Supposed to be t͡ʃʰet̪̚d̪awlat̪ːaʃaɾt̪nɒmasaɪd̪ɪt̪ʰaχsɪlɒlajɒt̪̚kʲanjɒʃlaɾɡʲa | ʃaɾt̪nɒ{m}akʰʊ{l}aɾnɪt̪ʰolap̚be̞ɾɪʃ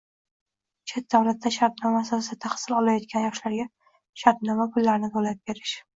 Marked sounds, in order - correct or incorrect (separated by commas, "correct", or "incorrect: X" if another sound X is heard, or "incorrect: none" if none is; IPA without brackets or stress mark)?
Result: correct, incorrect: lː